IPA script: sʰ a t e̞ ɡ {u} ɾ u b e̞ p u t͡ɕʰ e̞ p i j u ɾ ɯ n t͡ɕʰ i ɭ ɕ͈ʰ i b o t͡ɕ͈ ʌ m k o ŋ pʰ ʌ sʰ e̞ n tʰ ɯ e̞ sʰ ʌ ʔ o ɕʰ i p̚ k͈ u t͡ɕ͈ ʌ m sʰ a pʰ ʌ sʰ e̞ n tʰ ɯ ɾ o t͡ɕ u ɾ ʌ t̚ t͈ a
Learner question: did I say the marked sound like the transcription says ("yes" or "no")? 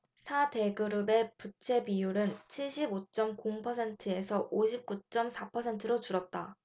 no